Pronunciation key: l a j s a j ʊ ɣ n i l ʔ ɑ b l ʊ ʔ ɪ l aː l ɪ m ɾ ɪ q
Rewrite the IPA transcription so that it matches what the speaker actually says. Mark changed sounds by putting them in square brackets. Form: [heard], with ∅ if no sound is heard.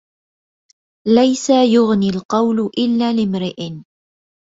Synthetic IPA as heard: l a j s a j ʊ ɣ n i l [q] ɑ [w] l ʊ ʔ ɪ [lː] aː l ɪ m ɾ ɪ [ʔ]